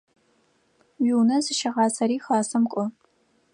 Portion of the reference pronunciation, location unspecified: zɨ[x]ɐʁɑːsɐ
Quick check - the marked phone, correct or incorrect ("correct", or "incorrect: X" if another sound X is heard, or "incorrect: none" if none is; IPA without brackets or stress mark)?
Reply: incorrect: ʃ